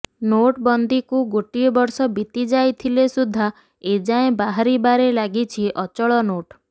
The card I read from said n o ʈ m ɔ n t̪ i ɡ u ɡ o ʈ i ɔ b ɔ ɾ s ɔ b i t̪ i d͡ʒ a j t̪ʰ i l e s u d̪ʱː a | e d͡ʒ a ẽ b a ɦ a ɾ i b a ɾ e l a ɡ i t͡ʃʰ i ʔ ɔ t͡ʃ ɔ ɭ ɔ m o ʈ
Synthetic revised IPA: n o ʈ b ɔ n d̪ i k u ɡ o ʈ i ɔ b ɔ ɾ s ɔ b i t̪ i d͡ʒ a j t̪ʰ i l e s u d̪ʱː a | e d͡ʒ a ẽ b a ɦ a ɾ i b a ɾ e l a ɡ i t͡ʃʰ i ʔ ɔ t͡ʃ ɔ ɭ ɔ n o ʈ